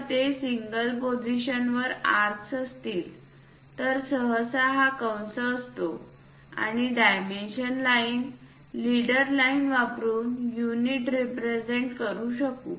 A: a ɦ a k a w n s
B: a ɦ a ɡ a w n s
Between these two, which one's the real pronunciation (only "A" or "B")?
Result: A